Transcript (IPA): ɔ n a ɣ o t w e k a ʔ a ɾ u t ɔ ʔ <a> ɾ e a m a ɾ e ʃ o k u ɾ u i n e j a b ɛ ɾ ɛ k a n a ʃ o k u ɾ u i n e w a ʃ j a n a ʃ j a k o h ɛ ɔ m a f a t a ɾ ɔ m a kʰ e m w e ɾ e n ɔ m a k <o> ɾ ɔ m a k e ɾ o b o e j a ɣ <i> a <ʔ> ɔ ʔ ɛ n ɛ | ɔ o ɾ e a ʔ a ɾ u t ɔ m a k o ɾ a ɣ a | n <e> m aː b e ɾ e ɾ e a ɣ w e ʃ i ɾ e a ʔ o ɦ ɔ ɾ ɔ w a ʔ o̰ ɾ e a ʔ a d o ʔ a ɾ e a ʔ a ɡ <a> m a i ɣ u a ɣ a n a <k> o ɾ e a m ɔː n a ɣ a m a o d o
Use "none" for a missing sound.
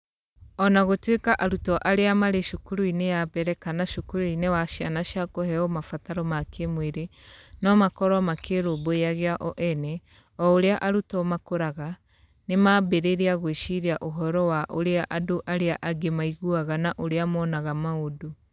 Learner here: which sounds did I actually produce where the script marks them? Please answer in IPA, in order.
a, ɔ, e, ʔ, e, e, ʔ

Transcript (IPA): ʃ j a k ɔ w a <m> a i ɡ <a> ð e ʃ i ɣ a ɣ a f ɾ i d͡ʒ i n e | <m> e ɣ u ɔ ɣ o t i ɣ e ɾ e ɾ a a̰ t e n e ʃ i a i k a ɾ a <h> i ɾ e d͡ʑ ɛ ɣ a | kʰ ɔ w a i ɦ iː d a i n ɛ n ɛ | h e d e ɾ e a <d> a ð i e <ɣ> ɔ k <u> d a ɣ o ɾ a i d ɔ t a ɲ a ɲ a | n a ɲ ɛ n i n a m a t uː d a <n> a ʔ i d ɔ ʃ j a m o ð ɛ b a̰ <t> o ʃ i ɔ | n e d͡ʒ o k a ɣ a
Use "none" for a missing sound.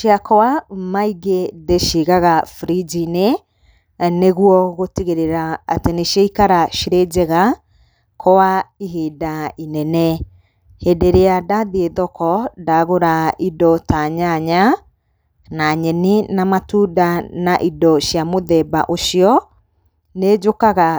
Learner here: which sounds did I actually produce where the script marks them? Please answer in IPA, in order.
m, e, n, ʃ, d, ð, ɔ, n, ʔ

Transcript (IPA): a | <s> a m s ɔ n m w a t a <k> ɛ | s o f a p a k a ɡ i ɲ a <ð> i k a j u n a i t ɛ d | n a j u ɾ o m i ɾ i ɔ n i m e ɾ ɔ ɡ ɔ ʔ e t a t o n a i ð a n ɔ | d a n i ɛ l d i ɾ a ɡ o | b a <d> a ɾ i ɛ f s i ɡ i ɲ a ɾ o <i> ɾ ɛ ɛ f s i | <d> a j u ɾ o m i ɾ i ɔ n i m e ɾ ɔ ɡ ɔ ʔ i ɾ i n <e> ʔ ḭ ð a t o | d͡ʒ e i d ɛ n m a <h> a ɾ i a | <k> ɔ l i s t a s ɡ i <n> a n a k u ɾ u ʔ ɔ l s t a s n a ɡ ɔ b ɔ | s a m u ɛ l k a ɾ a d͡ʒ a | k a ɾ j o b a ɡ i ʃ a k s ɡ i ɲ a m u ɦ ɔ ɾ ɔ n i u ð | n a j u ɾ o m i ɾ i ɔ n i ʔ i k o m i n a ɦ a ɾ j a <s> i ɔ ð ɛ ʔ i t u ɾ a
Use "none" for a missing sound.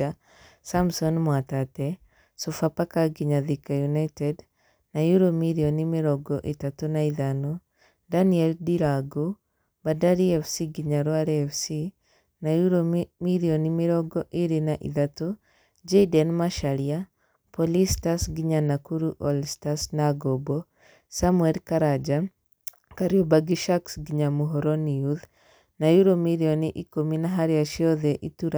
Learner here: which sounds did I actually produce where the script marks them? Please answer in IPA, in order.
s, t, ð, d, a, n, a, ʃ, p, ɲ, ʃ

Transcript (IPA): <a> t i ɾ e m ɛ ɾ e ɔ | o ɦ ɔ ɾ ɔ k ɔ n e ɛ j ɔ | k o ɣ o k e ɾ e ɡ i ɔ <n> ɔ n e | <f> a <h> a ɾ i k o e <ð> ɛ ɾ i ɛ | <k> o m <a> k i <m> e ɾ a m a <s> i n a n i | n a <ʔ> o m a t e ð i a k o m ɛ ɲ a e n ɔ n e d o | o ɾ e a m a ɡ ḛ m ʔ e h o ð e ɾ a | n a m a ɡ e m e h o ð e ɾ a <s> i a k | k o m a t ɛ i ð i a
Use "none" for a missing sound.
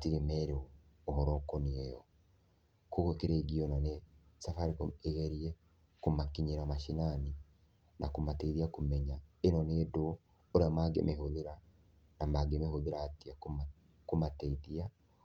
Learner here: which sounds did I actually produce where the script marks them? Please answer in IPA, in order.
a, n, s, f, ɣ, k, a, ɲ, ʃ, k, t

